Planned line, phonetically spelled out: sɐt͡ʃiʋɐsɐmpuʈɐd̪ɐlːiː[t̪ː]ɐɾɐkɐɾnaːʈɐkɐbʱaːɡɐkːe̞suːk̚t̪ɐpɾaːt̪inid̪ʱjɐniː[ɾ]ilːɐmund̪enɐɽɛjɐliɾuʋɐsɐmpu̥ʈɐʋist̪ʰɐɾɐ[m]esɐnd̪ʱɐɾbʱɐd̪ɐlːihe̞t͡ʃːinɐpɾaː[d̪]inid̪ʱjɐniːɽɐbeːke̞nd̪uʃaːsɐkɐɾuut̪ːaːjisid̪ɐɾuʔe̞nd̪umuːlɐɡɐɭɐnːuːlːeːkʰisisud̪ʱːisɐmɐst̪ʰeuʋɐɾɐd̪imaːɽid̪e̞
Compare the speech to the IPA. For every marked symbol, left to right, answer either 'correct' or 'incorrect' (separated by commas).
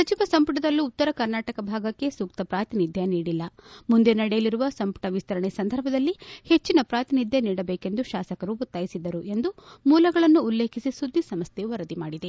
correct, incorrect, incorrect, incorrect